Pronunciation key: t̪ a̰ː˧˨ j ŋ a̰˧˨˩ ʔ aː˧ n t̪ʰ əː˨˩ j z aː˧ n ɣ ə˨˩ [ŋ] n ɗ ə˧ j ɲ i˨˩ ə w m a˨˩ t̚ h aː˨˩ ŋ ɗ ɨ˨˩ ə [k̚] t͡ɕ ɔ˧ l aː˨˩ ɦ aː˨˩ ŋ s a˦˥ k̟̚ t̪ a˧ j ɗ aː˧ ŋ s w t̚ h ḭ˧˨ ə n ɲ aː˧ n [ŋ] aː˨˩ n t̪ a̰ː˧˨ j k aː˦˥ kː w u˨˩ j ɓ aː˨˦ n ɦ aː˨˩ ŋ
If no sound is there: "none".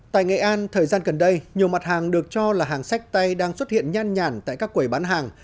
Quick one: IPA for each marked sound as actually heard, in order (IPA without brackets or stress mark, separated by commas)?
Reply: none, k̚, ɲ